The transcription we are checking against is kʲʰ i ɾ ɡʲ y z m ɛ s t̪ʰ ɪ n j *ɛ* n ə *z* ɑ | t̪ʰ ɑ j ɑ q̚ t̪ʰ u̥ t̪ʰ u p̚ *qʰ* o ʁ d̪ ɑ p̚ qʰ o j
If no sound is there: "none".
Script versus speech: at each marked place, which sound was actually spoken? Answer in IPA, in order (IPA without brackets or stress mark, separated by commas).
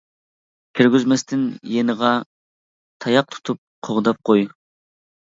e, ʁ, qʰ